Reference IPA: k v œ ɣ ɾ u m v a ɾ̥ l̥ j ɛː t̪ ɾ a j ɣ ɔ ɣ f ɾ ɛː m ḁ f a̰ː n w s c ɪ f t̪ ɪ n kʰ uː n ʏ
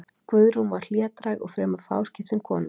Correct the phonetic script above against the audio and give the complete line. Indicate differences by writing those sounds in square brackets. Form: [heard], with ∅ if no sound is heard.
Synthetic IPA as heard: k v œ [ð] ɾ u m v a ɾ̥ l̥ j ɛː t̪ ɾ a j ɣ ɔ ɣ f ɾ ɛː m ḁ f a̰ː [∅] w s c ɪ f t̪ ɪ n kʰ [ɔː] n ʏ